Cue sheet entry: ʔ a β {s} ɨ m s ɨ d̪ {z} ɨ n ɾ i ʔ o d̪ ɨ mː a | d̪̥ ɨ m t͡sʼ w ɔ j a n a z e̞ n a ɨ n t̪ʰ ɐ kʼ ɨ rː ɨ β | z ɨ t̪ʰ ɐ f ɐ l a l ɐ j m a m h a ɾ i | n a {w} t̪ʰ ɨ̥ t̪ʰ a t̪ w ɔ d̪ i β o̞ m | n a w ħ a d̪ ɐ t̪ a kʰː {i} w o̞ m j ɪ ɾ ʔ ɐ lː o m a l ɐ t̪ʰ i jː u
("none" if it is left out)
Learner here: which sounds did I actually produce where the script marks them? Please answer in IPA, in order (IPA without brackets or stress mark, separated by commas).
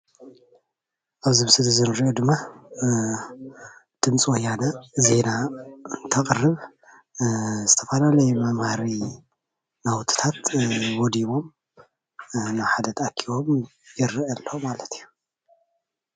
z, z, w, i